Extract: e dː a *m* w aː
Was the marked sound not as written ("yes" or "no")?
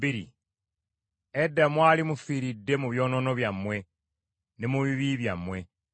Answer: no